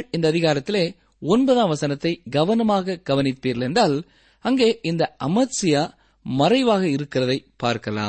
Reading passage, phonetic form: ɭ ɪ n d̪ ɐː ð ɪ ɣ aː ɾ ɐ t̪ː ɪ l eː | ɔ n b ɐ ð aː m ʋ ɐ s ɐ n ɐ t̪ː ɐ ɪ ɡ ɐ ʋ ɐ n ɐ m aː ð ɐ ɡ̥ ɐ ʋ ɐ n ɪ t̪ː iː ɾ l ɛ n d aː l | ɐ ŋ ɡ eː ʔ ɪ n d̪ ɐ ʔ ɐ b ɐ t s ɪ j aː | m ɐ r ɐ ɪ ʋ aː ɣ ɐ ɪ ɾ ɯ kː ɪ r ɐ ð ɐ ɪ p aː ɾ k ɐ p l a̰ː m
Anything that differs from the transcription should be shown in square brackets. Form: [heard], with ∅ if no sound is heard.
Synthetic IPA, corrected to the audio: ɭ ɪ n d̪ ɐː ð ɪ ɣ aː ɾ ɐ t̪ː ɪ l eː | ɔ n b ɐ ð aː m ʋ ɐ s ɐ n ɐ t̪ː ɐ ɪ ɡ ɐ ʋ ɐ n ɐ m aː [ɣ] ɐ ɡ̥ ɐ ʋ ɐ n ɪ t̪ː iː ɾ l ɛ n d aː l | ɐ ŋ ɡ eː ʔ ɪ n d̪ ɐ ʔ ɐ [m] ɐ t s ɪ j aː | m ɐ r ɐ ɪ ʋ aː ɣ ɐ ɪ ɾ ɯ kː ɪ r ɐ ð ɐ ɪ p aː ɾ k ɐ [∅] l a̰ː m